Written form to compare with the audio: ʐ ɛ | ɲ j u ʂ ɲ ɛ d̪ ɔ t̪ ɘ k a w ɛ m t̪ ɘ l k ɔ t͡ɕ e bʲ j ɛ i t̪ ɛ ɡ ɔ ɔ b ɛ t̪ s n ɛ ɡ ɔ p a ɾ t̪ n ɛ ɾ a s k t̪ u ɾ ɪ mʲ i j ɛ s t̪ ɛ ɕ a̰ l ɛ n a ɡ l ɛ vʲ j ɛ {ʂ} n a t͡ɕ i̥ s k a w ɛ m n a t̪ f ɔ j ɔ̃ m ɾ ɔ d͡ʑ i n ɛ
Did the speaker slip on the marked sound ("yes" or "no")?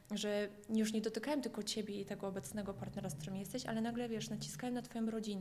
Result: no